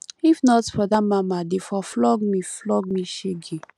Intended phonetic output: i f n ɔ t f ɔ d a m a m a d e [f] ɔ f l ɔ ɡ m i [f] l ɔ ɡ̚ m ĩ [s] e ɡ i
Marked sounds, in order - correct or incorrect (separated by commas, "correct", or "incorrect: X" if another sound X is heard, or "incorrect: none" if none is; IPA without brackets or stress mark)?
correct, correct, incorrect: ʃ